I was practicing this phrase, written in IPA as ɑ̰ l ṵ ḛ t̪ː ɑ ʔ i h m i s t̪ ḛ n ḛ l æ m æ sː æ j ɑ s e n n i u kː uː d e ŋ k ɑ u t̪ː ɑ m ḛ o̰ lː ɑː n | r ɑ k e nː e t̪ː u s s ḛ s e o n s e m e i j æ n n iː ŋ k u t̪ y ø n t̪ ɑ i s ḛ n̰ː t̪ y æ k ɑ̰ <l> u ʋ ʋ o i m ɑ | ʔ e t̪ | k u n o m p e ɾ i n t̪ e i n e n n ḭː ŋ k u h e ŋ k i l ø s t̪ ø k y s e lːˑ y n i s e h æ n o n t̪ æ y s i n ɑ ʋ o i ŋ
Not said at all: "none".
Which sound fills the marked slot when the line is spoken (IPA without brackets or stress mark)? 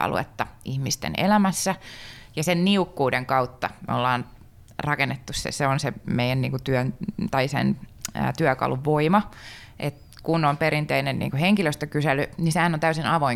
l